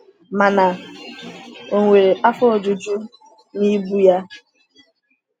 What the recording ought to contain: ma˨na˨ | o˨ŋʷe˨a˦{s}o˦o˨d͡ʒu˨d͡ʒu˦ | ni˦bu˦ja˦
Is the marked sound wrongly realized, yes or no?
yes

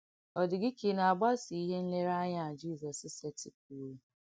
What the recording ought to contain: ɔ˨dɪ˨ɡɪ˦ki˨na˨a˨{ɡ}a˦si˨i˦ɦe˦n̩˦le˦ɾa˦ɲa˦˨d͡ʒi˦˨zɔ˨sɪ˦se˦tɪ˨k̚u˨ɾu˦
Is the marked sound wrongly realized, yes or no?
yes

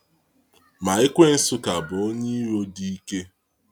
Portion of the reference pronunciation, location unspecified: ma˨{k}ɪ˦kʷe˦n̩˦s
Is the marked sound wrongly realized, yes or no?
yes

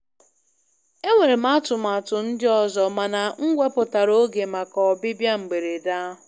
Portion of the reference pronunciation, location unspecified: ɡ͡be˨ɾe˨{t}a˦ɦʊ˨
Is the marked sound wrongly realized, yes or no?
yes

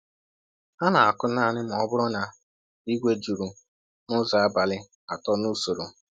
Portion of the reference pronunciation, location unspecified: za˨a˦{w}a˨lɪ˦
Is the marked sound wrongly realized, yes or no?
yes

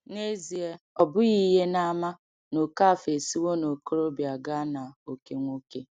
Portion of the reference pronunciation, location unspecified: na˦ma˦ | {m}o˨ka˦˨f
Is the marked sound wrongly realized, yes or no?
yes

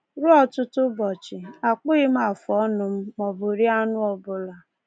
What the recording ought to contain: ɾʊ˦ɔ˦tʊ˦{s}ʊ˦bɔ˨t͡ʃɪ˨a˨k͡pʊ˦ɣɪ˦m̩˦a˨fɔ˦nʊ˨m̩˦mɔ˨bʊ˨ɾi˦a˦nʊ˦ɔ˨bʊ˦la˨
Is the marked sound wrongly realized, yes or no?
yes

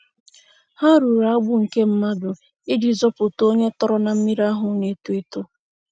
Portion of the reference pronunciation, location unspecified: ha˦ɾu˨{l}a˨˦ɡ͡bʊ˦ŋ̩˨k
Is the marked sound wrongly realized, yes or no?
yes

